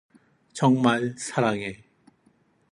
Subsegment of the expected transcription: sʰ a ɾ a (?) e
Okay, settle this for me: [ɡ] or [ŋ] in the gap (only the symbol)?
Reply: ŋ